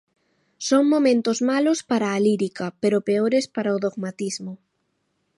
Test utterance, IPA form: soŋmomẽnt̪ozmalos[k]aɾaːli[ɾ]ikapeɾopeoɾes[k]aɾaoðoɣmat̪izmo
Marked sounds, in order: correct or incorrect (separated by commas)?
incorrect, correct, incorrect